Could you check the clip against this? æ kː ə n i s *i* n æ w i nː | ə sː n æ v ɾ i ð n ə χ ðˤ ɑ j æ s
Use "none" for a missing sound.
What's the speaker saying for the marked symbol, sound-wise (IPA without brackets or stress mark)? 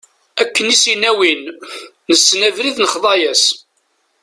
i